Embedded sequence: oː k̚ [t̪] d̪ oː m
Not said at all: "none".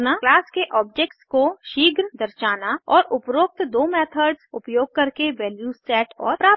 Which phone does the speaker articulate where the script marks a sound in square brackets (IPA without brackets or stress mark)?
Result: t̪